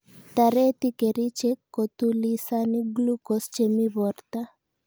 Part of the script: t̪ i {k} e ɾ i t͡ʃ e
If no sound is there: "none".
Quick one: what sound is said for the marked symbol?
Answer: k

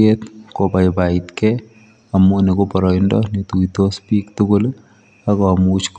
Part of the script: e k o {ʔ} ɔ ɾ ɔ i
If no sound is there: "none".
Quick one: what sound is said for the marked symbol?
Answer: p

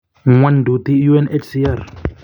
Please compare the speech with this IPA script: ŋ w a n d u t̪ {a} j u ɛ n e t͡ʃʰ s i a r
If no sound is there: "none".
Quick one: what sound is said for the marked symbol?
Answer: i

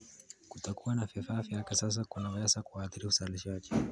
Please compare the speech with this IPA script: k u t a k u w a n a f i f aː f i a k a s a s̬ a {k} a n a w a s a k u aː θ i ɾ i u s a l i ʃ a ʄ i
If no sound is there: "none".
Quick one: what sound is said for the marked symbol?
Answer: k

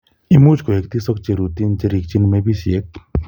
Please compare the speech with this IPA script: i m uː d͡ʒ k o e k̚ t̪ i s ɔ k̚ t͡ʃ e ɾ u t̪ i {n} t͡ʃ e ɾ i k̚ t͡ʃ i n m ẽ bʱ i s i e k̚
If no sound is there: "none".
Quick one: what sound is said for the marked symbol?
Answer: n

